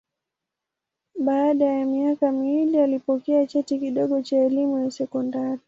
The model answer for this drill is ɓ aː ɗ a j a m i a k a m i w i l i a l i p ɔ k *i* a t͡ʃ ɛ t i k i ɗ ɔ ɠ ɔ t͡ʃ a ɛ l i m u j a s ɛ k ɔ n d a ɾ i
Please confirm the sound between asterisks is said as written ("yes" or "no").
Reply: no